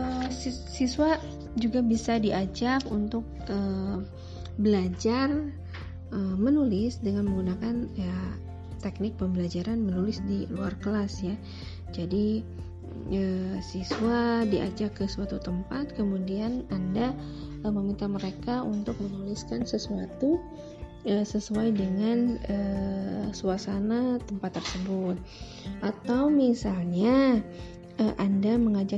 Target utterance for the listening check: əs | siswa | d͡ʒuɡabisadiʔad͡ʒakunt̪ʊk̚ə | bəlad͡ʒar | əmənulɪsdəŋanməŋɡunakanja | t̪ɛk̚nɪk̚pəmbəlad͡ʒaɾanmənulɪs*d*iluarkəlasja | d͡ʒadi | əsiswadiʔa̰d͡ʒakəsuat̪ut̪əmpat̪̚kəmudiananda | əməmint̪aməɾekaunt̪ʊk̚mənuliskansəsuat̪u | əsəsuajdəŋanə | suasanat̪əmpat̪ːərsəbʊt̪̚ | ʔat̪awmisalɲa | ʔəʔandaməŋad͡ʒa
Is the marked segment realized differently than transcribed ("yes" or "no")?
no